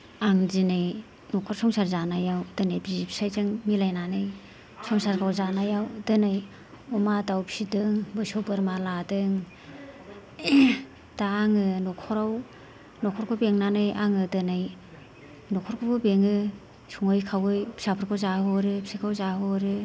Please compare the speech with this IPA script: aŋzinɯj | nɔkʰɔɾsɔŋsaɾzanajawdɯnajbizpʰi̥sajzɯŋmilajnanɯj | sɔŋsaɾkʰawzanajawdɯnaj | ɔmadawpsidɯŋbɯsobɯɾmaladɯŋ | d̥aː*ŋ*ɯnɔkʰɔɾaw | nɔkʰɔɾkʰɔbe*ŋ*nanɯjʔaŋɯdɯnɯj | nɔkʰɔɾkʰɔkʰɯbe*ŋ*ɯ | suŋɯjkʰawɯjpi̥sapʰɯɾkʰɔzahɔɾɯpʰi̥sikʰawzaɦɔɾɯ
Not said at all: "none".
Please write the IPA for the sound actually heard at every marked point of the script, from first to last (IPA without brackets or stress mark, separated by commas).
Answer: ŋ, ŋ, ŋ